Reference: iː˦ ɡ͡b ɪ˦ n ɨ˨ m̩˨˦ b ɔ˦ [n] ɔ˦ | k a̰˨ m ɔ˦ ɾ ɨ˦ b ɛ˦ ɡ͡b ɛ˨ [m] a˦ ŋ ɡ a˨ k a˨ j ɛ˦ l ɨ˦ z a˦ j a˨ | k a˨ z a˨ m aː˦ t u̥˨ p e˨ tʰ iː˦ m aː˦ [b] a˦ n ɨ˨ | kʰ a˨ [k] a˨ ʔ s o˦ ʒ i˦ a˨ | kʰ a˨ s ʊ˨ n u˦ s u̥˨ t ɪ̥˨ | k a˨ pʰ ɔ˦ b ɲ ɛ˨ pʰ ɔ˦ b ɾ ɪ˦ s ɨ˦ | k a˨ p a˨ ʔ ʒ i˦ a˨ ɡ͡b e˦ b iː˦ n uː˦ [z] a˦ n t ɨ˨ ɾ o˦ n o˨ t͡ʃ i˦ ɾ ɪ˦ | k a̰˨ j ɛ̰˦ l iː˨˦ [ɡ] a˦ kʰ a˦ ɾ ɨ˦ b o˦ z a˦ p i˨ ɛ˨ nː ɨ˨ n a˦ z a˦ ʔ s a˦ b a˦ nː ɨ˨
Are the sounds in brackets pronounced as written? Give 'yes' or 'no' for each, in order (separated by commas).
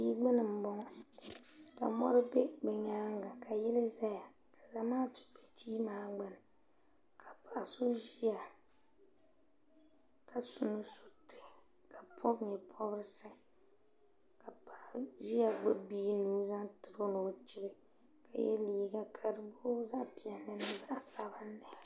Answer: no, no, no, no, yes, yes